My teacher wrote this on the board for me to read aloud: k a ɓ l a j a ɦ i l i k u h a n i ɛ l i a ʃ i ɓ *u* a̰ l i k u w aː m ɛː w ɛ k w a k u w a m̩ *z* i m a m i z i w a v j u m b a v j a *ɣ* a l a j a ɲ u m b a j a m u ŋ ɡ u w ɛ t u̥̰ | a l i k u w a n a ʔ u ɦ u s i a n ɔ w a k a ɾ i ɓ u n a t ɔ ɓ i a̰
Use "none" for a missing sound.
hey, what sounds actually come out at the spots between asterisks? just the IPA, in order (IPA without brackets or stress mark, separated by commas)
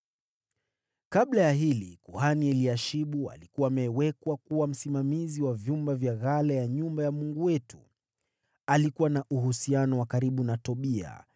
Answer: u, s, ɣ